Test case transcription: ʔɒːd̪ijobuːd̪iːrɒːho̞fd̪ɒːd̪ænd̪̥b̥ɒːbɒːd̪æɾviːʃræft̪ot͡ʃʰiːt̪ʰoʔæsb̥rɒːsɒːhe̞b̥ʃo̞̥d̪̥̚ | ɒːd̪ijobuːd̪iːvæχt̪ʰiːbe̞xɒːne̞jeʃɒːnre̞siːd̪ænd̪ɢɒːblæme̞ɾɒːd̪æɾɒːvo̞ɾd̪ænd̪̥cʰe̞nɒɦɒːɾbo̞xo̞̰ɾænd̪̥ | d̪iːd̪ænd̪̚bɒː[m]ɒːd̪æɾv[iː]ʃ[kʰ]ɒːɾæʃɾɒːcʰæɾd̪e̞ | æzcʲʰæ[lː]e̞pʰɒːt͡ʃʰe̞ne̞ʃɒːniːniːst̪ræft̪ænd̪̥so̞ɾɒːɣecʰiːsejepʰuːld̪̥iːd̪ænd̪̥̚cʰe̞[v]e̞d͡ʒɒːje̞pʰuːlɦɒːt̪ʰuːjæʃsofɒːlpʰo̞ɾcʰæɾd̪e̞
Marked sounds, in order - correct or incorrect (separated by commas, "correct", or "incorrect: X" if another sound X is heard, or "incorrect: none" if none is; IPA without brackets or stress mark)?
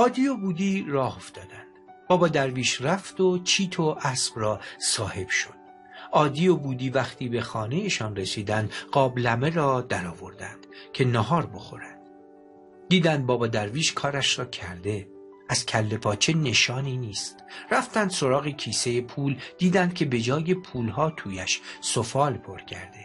incorrect: b, correct, correct, correct, incorrect: b